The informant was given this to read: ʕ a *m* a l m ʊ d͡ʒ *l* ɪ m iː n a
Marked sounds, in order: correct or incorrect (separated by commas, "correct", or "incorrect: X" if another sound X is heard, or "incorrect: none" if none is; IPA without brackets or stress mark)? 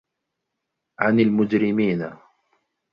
incorrect: n, incorrect: ɾ